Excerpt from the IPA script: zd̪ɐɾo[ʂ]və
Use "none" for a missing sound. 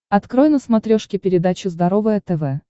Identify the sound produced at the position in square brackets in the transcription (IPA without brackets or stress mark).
none